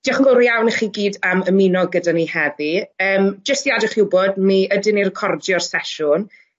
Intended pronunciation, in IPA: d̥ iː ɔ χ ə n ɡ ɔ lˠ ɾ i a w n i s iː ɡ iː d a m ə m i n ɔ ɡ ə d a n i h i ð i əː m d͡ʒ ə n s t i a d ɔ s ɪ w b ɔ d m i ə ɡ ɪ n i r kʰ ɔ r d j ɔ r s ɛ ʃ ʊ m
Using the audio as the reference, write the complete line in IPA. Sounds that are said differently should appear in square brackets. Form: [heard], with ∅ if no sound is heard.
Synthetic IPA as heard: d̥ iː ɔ χ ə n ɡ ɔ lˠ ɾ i a w n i [χ] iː ɡ iː d a m ə m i n ɔ ɡ ə d a n i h [ɛ] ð i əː m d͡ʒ ə [∅] s t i a d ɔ [χ] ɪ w b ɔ d m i ə [d] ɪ n i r kʰ ɔ r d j ɔ r s ɛ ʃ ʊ [n]